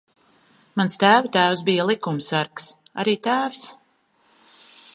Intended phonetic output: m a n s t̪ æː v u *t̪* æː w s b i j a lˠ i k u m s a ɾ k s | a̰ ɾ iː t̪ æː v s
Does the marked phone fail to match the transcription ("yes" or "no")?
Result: no